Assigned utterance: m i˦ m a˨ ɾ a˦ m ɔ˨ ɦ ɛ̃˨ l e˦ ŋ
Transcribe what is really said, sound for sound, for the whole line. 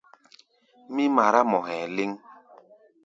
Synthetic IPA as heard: m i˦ m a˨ ɾ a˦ m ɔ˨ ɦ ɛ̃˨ l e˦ ŋ